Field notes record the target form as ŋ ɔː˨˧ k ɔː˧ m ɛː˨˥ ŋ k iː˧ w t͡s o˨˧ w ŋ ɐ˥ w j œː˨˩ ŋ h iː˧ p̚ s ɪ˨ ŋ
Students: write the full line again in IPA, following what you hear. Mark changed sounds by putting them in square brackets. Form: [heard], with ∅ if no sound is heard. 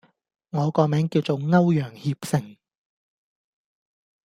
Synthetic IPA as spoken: ŋ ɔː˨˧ k ɔː˧ m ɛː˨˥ ŋ k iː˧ w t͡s o˨˧ w ŋ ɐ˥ w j œː˨˩ ŋ h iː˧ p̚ s ɪ˨ ŋ